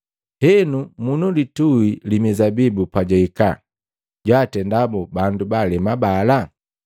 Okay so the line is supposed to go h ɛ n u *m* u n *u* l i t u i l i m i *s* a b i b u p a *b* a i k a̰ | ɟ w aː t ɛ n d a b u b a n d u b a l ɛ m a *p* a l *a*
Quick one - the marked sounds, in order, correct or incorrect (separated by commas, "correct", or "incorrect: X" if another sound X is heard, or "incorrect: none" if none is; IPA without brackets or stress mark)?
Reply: correct, correct, incorrect: z, incorrect: ɟ, incorrect: b, correct